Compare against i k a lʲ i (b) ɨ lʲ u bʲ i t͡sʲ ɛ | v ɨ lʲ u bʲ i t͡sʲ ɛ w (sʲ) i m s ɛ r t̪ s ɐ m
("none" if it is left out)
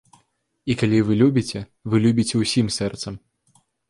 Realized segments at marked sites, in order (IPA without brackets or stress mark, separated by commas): v, sʲ